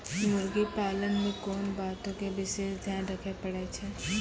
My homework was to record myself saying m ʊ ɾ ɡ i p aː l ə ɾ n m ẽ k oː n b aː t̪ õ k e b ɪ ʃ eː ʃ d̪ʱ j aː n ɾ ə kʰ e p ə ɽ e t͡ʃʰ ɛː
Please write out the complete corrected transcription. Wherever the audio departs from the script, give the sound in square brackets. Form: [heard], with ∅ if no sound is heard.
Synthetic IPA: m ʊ ɾ ɡ i p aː l ə [∅] n m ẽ k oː n b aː t̪ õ k e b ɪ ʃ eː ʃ d̪ʱ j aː n ɾ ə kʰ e p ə ɽ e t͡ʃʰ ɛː